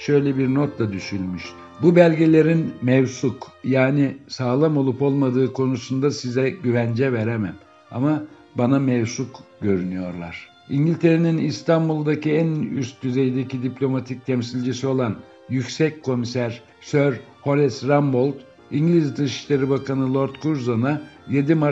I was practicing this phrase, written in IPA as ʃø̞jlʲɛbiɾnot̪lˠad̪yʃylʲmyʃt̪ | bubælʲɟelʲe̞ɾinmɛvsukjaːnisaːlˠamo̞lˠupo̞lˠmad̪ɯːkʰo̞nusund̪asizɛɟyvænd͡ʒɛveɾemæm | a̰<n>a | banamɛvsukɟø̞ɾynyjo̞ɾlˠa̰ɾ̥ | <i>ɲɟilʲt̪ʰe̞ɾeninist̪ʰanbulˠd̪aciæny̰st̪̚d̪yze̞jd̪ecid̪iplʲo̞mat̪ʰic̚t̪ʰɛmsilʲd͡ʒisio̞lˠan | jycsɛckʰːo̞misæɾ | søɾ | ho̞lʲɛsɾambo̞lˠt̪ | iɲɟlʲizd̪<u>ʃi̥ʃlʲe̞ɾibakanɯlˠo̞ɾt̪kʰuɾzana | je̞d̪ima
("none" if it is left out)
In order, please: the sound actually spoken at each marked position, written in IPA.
m, i, ɯ

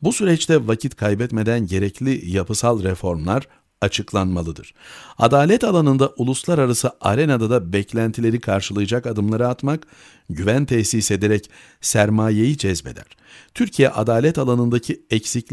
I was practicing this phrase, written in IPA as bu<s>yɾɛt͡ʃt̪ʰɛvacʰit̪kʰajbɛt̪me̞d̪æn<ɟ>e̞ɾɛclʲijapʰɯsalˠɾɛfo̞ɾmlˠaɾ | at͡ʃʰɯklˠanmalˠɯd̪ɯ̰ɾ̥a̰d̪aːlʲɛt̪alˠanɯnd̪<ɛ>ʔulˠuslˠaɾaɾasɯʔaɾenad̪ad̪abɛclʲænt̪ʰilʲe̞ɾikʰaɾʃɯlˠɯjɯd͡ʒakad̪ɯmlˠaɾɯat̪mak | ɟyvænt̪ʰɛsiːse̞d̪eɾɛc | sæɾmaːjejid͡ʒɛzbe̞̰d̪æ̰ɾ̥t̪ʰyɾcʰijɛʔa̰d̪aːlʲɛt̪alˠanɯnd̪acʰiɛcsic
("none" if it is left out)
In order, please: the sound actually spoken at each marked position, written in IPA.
s, ɟ, a

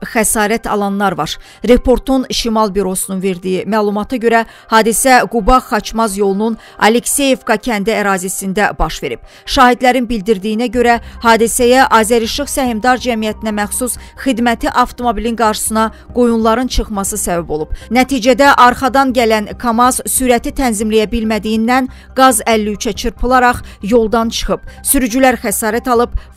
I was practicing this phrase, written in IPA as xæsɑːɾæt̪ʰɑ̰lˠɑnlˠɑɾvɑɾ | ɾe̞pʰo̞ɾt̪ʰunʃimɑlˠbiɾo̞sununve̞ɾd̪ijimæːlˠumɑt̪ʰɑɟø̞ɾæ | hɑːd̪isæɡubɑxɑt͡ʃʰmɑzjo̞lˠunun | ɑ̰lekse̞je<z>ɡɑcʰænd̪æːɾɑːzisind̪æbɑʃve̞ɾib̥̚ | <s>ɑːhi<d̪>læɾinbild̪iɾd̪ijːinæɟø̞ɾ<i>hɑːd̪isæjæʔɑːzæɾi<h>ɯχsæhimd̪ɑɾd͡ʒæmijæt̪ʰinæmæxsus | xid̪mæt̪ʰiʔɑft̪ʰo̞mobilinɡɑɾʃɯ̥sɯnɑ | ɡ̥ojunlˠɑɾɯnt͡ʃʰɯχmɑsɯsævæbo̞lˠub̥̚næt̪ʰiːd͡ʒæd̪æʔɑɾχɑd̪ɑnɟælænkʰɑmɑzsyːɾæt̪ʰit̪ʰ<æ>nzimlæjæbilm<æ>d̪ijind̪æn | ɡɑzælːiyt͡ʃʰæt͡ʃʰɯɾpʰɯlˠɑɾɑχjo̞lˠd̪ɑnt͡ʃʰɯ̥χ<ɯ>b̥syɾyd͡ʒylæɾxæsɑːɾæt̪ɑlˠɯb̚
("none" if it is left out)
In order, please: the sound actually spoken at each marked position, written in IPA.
v, ʃ, d̪, æ, ʃ, æ, æ, ɯ

